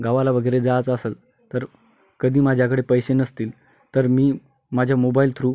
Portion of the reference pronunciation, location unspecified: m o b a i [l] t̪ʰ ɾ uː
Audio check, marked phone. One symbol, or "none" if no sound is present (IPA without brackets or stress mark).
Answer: l